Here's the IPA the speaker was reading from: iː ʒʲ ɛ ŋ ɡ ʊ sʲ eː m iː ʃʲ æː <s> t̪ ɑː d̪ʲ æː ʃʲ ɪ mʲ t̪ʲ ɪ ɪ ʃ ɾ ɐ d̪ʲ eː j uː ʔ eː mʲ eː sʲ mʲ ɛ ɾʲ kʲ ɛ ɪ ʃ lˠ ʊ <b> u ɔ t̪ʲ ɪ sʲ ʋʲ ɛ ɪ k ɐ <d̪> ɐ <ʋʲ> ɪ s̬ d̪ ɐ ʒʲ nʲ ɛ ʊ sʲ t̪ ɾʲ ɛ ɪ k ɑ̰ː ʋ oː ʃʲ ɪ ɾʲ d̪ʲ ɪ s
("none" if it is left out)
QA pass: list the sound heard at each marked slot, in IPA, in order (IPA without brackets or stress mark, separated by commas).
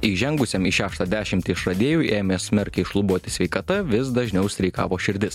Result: ʃ, b, t̪, ʋʲ